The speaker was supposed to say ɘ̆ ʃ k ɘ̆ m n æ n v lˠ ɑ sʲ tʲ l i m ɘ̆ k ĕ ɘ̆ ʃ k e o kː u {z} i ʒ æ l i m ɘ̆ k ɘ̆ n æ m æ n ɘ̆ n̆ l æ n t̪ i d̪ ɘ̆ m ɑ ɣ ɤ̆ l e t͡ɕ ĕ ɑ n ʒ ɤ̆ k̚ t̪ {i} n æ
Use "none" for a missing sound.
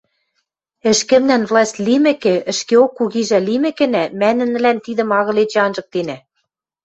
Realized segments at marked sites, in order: ɣ, e

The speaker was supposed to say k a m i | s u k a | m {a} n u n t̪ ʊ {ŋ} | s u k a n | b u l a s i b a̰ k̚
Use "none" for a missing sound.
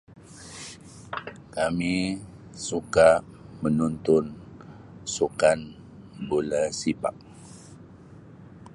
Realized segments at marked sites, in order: ə, n

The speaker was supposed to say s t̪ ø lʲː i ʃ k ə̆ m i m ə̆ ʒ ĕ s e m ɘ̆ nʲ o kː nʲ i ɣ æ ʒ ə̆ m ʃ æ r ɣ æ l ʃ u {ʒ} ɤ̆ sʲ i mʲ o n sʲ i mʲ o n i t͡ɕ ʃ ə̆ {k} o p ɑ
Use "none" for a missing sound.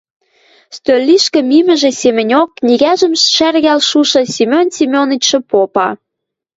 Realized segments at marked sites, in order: ʃ, p

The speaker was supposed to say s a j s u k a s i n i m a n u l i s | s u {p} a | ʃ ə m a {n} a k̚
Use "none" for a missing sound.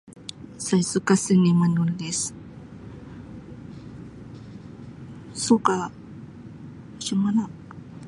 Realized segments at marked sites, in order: k, n

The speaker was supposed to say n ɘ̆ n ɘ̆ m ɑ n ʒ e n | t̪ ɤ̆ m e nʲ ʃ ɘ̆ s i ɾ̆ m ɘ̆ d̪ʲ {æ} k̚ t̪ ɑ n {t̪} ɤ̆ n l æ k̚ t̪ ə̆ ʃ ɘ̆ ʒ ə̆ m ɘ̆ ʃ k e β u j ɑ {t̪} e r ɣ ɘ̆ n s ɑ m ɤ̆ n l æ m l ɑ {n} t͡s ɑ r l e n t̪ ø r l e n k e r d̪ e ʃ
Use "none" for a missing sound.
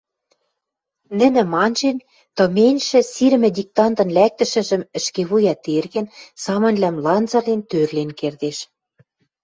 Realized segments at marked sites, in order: i, t̪, t̪, n

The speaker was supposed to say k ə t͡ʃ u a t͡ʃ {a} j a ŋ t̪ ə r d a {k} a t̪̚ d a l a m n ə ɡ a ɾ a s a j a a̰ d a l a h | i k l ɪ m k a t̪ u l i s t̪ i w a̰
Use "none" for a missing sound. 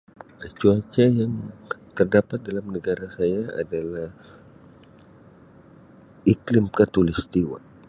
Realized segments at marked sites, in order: a, p

